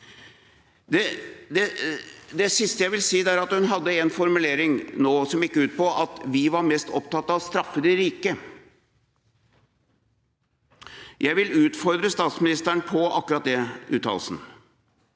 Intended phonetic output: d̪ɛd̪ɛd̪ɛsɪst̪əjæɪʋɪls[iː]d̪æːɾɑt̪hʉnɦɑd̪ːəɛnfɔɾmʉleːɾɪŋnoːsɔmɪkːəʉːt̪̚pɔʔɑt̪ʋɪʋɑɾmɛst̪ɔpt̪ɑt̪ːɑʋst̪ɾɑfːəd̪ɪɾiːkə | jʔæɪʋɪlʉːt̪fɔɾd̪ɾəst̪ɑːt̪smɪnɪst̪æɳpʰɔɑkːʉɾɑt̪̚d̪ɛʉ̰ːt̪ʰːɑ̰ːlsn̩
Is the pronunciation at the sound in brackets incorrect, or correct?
correct